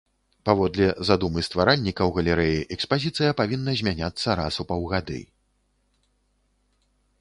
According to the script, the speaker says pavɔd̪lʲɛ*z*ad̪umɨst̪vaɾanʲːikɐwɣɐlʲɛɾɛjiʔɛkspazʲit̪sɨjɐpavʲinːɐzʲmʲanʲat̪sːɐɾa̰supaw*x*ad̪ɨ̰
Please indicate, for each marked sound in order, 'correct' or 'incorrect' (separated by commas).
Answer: correct, incorrect